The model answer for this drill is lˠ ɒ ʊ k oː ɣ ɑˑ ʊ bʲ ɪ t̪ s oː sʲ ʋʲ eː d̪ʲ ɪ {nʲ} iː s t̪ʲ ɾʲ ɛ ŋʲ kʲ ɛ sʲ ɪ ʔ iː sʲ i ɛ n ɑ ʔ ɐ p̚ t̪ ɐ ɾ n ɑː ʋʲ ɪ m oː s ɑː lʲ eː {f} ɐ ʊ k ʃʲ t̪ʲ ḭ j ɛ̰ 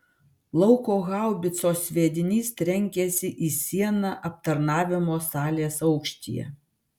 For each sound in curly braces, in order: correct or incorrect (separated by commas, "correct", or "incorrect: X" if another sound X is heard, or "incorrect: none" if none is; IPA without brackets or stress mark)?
correct, incorrect: s